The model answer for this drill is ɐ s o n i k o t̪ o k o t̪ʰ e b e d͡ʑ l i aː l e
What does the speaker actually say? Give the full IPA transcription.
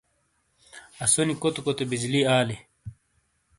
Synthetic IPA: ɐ s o n i k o t̪ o k o t̪ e b i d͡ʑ l i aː l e